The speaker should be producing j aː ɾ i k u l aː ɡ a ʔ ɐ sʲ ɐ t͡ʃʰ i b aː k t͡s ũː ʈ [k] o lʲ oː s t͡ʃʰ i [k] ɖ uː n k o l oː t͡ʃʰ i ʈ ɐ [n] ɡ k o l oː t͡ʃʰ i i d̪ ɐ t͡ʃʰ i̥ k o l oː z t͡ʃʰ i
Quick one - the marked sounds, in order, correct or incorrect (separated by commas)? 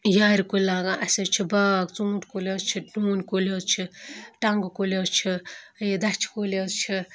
correct, incorrect, incorrect